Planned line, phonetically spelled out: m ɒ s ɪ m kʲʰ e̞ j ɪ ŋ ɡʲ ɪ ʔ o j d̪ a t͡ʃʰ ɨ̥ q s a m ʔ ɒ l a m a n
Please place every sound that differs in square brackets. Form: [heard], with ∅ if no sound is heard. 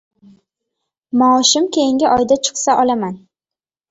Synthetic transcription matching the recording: m ɒ [ʃ] ɪ m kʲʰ e̞ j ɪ ŋ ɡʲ ɪ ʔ [ɒ] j d̪ a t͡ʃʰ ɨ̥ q s a [∅] ʔ ɒ l a m a n